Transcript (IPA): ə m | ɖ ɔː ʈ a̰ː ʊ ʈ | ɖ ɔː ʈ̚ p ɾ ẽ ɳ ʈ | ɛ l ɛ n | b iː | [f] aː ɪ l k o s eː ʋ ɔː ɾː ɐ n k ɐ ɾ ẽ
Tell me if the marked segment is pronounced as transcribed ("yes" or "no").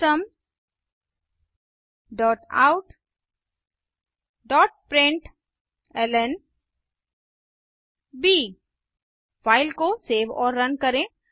yes